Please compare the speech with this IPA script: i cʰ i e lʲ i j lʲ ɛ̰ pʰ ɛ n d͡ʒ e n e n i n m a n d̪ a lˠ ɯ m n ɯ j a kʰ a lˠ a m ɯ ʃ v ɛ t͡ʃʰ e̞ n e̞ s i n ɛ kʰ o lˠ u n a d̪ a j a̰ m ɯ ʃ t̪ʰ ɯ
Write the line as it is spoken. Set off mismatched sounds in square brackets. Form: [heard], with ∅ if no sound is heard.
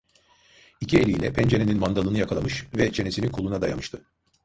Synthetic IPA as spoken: i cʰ i e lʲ i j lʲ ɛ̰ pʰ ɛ n d͡ʒ e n e n i n m a n d̪ a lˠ ɯ [∅] n ɯ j a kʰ a lˠ a m ɯ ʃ v ɛ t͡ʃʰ e̞ n e̞ s i n [i] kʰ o lˠ u n a d̪ a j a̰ m ɯ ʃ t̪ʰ ɯ